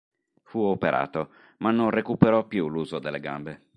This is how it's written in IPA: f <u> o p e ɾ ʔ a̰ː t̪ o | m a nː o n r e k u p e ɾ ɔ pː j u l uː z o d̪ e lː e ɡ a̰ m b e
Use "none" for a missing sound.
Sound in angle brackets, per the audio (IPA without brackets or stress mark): u